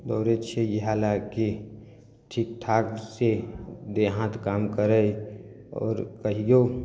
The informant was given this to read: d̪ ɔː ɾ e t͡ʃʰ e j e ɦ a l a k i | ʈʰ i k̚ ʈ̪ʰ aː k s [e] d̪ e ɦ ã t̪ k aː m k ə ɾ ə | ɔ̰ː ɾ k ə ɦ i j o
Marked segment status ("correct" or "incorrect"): correct